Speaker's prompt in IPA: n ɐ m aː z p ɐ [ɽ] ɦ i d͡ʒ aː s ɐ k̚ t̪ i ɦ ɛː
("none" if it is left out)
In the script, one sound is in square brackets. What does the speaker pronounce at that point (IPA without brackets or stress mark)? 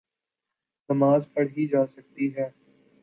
ɽ